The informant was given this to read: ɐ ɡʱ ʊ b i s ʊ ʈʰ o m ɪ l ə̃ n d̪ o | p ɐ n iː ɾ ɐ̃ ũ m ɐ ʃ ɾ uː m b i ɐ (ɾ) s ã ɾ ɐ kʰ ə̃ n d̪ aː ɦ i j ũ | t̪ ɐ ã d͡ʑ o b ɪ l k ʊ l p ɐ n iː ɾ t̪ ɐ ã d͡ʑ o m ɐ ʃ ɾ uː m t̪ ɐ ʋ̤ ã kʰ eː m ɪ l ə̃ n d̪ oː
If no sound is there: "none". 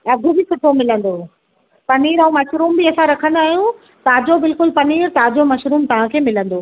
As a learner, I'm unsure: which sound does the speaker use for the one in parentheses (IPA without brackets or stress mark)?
none